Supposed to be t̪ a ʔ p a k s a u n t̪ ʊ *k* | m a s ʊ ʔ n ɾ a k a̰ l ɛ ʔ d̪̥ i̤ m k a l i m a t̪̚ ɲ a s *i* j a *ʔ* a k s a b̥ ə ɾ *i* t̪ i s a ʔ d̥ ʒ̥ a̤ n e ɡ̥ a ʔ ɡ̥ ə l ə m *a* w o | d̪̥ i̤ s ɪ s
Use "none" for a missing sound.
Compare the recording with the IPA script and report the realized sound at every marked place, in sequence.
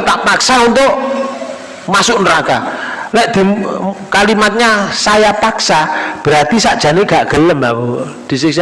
ʔ, a, p, a, a

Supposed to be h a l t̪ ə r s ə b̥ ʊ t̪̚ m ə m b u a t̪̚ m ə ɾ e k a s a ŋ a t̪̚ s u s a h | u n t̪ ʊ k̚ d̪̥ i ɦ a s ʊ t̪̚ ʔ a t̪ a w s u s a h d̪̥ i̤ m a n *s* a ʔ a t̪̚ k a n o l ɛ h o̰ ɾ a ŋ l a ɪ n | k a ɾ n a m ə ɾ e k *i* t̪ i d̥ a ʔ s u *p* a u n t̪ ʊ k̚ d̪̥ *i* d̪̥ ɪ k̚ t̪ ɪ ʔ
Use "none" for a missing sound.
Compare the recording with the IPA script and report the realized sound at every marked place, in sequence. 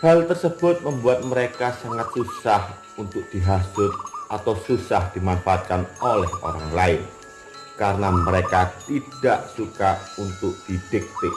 f, a, k, i

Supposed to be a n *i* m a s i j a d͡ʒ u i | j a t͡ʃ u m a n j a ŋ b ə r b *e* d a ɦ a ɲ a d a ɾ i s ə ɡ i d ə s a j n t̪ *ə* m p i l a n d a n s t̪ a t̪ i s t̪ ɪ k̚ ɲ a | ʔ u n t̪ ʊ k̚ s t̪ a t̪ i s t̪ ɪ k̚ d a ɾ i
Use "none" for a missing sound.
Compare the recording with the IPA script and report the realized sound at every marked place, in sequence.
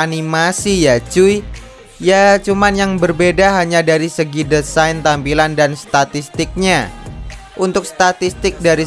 i, e, a

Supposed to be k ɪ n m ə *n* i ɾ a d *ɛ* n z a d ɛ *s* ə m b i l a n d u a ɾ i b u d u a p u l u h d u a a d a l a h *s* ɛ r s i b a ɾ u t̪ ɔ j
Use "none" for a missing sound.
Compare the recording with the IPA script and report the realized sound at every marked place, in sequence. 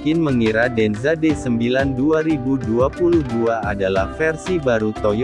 ŋ, ɛ, s, f

